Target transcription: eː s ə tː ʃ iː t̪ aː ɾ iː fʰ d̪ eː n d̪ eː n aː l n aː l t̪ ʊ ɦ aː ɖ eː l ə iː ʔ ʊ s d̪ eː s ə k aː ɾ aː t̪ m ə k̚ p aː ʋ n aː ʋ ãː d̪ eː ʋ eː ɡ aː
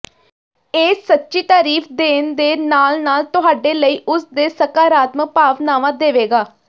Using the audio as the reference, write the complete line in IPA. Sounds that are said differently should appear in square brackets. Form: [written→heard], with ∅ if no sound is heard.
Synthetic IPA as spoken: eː s ə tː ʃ iː t̪ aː ɾ iː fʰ d̪ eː n d̪ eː n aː l n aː l t̪ ʊ ɦ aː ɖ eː l ə iː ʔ ʊ s d̪ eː s ə k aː ɾ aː t̪ m ə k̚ p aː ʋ n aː ʋ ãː d̪ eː ʋ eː ɡ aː